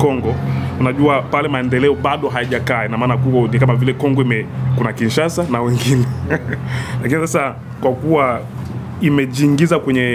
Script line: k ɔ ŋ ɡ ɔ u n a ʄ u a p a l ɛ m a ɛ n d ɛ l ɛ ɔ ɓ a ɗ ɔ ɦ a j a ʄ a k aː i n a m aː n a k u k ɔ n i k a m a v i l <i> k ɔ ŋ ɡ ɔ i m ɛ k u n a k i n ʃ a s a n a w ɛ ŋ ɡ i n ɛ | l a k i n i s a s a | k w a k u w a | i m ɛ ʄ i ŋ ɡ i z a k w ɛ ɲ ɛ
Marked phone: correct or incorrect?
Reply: incorrect